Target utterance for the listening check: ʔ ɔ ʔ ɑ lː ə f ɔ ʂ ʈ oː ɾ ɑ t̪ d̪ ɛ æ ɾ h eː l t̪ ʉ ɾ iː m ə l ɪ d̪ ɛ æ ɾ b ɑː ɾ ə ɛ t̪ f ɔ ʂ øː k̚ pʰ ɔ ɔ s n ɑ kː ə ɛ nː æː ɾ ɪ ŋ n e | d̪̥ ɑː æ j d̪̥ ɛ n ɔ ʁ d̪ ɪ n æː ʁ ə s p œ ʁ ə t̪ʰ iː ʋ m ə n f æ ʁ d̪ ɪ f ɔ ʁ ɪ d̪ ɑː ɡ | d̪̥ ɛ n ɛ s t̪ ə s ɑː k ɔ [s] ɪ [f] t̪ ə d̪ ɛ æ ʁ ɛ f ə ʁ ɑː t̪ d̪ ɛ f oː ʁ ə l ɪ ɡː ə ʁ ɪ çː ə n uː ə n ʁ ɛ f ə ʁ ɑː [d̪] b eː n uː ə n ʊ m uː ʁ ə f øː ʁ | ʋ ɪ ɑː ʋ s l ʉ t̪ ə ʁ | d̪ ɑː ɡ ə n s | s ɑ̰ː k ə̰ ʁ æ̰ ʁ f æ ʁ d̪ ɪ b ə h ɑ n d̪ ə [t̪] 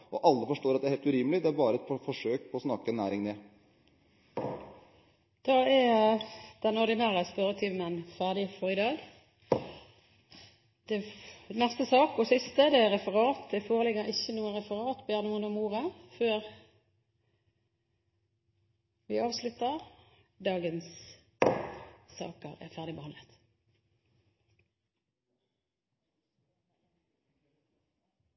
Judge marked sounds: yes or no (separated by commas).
yes, no, no, yes